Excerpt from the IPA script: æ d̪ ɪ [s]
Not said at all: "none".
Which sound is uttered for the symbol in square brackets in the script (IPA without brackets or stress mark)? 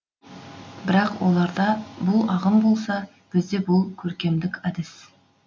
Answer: s